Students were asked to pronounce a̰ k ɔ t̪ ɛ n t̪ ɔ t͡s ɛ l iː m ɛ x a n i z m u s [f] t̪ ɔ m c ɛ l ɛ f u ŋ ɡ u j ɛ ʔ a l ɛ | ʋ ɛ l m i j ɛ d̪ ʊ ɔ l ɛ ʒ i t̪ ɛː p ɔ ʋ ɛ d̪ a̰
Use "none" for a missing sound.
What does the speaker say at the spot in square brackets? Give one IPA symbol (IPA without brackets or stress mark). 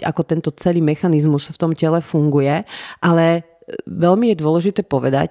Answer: f